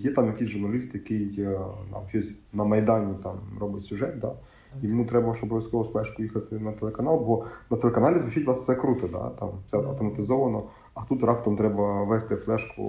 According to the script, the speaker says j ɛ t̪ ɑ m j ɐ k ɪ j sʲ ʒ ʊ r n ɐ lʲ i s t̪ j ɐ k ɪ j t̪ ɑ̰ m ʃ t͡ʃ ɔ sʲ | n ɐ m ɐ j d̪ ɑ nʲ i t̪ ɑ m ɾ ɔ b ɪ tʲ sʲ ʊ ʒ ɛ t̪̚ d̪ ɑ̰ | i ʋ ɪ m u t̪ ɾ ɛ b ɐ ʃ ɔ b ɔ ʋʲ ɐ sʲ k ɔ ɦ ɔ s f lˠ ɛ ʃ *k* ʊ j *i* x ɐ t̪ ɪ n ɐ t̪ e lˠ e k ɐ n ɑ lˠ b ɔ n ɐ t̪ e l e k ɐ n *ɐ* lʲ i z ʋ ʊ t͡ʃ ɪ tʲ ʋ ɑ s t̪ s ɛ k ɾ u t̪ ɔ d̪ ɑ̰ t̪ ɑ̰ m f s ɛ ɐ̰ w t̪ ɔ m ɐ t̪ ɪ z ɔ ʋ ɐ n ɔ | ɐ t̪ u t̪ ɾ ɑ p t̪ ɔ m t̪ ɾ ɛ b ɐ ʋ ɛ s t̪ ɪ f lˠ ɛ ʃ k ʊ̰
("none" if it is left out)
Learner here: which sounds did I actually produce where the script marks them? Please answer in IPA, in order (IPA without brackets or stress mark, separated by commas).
k, i, ɑ